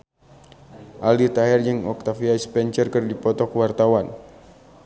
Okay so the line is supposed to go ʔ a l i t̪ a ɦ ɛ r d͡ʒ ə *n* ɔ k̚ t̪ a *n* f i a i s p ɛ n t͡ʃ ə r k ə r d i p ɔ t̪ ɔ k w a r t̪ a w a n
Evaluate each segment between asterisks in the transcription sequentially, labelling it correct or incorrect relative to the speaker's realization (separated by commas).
incorrect, incorrect